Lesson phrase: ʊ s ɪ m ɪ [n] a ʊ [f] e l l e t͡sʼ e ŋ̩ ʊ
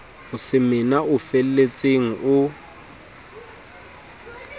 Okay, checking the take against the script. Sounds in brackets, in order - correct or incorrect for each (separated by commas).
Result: correct, correct